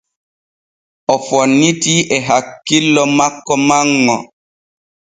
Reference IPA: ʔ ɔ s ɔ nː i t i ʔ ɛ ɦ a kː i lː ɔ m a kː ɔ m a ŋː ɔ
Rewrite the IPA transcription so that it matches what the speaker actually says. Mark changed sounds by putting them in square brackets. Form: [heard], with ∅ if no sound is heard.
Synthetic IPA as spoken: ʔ ɔ [f] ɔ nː i t i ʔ ɛ ɦ a kː i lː ɔ m a kː ɔ m a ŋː ɔ

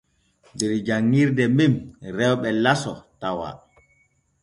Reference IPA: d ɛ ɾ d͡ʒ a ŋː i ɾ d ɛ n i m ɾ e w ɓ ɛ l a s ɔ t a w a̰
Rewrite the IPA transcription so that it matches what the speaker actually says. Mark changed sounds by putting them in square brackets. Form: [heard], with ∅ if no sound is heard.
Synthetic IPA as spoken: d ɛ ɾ d͡ʒ a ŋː i ɾ d ɛ [m] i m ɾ [ɛ] w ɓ ɛ l a s ɔ t a w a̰

